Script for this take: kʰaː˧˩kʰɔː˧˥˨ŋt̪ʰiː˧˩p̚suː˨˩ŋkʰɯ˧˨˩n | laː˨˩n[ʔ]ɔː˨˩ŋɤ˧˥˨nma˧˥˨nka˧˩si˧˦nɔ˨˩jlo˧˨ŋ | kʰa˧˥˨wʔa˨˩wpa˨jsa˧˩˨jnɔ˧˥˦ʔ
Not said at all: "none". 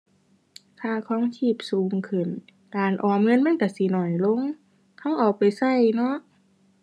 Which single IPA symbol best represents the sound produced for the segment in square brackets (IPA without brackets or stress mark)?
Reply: ʔ